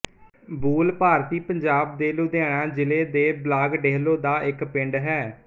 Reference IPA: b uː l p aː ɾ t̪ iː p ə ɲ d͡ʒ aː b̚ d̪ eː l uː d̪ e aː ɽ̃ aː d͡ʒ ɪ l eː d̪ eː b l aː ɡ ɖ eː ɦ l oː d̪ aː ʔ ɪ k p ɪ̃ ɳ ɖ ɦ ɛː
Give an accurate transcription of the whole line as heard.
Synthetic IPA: b uː l p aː ɾ t̪ iː p ə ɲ d͡ʒ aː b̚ d̪ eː l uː d̪ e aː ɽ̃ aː d͡ʒ ɪ l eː d̪ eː b l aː ɡ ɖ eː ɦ l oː d̪ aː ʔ ɪ k p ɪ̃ ɳ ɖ ɦ ɛː